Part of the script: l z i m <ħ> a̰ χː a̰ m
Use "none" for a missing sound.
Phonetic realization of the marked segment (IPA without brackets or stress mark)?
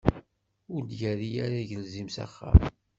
s